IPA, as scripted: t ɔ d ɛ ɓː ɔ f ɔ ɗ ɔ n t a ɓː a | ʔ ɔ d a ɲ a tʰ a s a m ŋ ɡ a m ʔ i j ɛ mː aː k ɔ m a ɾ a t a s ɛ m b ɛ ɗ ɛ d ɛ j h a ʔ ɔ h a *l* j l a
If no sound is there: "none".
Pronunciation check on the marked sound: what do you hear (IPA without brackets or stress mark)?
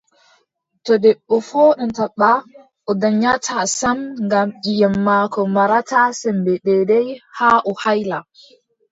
none